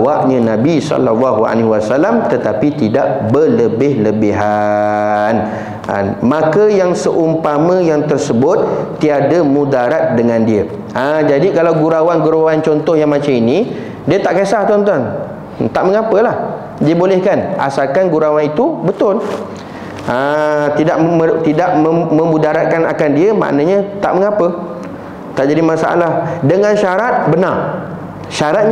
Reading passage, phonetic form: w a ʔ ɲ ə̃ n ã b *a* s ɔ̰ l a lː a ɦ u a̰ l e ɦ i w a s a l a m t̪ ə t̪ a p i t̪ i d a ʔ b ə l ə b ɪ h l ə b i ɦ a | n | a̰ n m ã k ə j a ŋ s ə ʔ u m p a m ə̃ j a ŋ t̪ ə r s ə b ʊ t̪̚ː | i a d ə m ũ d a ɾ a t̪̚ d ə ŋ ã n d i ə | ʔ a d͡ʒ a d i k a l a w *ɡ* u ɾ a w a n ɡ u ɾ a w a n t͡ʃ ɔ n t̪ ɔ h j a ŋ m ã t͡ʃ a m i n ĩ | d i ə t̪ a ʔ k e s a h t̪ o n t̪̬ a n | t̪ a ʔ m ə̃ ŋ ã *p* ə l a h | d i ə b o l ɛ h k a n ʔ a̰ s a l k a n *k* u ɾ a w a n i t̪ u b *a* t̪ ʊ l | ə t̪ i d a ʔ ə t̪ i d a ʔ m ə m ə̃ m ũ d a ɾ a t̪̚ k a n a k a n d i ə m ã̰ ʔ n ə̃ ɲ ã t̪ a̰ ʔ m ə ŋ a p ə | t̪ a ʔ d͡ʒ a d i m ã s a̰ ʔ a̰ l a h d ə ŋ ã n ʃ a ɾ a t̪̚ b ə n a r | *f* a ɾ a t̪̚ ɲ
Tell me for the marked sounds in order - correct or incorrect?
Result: incorrect: i, correct, correct, incorrect: ɡ, incorrect: ə, incorrect: ʃ

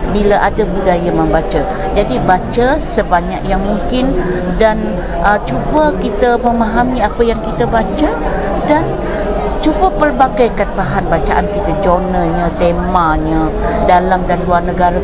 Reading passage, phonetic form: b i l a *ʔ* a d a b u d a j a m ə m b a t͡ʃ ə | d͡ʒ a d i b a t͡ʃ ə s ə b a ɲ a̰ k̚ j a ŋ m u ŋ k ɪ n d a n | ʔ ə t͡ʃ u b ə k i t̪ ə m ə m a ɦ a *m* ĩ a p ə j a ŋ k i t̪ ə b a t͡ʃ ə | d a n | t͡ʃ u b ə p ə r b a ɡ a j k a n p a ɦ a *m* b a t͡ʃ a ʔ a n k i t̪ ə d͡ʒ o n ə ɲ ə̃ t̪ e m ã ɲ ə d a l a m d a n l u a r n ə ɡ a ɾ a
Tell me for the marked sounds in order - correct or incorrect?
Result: correct, correct, incorrect: n

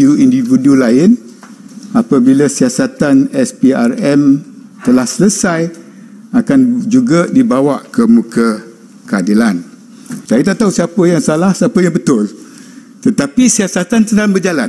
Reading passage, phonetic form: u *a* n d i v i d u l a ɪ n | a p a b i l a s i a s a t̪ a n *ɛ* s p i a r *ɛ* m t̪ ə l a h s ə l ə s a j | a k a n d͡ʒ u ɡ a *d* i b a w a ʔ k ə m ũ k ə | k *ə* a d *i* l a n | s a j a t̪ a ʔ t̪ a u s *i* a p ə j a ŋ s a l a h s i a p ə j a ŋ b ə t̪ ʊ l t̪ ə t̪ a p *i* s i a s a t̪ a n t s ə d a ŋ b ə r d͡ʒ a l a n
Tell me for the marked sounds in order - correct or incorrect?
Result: incorrect: i, correct, correct, correct, correct, correct, correct, correct

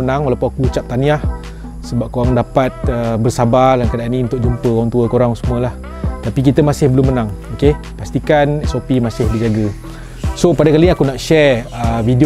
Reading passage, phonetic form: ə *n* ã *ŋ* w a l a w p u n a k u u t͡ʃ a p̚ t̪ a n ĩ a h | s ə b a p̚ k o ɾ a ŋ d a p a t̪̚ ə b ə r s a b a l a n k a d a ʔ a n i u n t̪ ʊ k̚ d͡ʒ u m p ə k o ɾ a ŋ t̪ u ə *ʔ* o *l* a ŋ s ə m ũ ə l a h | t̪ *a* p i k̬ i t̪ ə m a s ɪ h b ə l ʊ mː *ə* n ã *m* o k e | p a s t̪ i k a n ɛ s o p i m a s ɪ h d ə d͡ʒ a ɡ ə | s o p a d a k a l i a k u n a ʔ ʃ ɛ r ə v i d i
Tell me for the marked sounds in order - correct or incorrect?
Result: correct, correct, incorrect: k, incorrect: ɾ, correct, correct, incorrect: ŋ

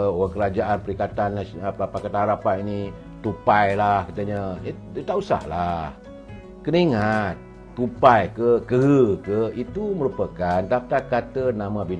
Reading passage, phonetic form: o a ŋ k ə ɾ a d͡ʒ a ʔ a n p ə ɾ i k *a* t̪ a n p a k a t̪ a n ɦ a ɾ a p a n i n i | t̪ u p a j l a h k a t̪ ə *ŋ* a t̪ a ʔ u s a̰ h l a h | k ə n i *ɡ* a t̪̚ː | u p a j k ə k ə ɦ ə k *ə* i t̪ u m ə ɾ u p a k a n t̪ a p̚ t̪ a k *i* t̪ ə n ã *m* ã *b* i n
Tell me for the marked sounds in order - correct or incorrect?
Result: correct, incorrect: ɲ, incorrect: ŋ, correct, incorrect: a, correct, correct

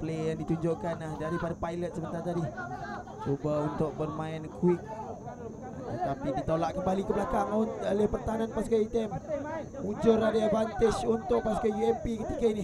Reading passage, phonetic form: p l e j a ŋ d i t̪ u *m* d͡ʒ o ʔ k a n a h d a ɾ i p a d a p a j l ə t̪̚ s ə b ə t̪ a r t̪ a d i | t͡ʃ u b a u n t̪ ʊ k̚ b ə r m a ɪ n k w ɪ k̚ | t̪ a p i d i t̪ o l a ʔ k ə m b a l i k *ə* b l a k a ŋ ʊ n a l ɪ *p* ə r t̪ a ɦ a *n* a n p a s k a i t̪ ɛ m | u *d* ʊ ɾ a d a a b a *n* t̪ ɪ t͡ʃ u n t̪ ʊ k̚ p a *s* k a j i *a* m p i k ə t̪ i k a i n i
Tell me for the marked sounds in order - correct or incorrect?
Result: incorrect: ɲ, correct, correct, correct, incorrect: d͡ʒ, correct, correct, incorrect: ɛ

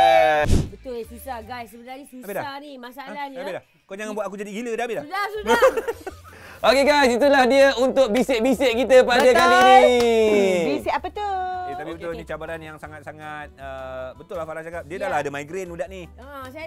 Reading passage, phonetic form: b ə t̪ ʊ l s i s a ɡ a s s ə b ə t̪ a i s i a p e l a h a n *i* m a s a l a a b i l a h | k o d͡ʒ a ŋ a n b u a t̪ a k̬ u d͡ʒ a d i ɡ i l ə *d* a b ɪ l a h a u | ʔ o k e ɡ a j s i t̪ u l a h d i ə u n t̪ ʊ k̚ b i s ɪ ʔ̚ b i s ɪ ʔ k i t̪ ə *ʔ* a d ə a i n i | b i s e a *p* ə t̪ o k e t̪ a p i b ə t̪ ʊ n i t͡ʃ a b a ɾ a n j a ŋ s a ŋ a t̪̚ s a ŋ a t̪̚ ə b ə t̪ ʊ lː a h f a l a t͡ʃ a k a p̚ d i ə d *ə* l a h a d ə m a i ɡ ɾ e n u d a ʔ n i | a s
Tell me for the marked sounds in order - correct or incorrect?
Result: correct, correct, incorrect: p, correct, incorrect: a

